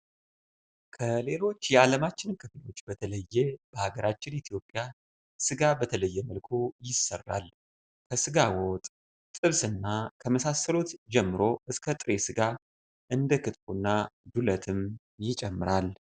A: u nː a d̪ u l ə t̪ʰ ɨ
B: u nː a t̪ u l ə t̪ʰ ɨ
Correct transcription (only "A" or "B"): A